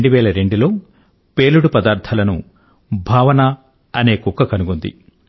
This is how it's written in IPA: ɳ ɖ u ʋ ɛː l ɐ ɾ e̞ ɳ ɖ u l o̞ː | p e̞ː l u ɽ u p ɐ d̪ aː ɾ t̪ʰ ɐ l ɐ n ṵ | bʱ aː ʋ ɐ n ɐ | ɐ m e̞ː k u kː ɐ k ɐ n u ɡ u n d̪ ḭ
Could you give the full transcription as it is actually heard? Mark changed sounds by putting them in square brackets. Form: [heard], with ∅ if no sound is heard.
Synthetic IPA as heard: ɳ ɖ u ʋ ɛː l ɐ ɾ e̞ ɳ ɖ u l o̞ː | p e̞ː l u ɽ u p ɐ d̪ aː ɾ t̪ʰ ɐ l ɐ n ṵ | bʱ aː ʋ ɐ n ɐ | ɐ [n] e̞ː k u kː ɐ k ɐ n u ɡ u n d̪ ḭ